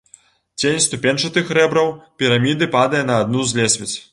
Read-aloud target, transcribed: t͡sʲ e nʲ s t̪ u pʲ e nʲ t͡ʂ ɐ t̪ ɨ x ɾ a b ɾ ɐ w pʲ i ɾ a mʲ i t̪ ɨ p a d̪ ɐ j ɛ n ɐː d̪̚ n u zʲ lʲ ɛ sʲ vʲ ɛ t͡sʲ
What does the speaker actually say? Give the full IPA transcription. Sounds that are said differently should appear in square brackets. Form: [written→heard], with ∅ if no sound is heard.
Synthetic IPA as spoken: t͡sʲ e nʲ s t̪ u pʲ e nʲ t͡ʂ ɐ t̪ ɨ x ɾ [a→ɛ] b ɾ ɐ w pʲ i ɾ a mʲ i [t̪→d̪] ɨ p a d̪ ɐ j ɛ n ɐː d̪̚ n u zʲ lʲ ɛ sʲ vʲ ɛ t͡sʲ